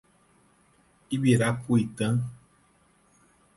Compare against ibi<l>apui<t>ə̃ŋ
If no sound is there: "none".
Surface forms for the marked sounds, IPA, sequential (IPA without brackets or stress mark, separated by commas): ɾ, t